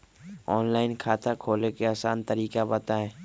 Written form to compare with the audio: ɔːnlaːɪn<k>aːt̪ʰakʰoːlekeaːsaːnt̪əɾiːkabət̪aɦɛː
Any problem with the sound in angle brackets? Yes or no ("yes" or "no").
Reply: yes